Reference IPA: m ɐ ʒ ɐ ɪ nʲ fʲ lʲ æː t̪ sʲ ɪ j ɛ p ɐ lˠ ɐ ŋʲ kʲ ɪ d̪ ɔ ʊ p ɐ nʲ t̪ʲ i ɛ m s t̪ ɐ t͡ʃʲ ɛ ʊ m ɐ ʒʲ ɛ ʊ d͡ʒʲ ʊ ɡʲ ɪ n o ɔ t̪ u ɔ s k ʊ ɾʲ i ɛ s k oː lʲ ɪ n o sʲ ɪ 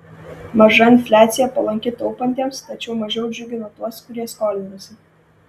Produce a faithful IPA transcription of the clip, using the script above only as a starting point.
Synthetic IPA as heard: m ɐ ʒ ɐ ɪ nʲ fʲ lʲ æː t̪ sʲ ɪ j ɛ p ɐ lˠ ɐ ŋʲ kʲ ɪ t̪ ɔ ʊ p ɐ nʲ t̪ʲ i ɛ m s t̪ ɐ t͡ʃʲ ɛ ʊ m ɐ ʒʲ ɛ ʊ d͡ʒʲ ʊ ɡʲ ɪ n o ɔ t̪ u ɔ s k ʊ ɾʲ i ɛ s k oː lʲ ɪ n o sʲ ɪ